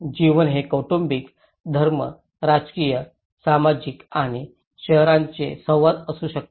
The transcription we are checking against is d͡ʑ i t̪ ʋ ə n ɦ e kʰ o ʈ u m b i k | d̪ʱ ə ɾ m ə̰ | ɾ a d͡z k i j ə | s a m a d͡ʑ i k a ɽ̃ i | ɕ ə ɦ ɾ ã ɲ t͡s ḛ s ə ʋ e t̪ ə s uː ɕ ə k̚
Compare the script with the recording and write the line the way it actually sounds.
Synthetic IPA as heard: d͡ʑ i ʋ ə n ɦ e k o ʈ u m b i k | d̪ʱ ə ɾ m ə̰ | ɾ a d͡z k i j ə | s a m a d͡ʑ i k a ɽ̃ i | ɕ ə ɦ ɾ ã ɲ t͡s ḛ s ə ʋ a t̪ ə s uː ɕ ə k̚